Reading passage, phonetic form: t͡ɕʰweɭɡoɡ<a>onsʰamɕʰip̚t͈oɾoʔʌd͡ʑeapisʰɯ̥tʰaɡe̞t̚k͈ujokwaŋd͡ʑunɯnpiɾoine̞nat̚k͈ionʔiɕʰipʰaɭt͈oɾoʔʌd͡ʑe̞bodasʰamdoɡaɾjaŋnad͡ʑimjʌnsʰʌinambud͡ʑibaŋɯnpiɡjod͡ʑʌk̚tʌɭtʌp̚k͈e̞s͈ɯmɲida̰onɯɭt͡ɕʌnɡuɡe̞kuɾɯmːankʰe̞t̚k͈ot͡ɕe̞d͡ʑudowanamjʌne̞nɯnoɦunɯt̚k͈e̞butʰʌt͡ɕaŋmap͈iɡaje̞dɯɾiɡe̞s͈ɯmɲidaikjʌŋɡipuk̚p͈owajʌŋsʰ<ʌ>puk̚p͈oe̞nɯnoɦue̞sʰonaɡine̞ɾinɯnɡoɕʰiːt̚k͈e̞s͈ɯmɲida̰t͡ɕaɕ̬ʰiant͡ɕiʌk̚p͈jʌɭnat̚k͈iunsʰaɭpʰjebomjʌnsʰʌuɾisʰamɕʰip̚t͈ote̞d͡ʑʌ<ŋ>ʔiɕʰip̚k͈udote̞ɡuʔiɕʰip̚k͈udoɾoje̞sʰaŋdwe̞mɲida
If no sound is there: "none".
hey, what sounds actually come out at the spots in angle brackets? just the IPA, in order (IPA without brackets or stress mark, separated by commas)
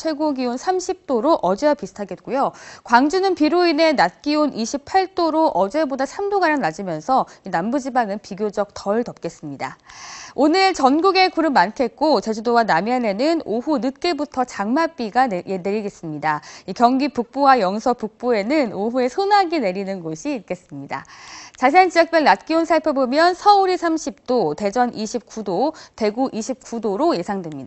i, ʌ, n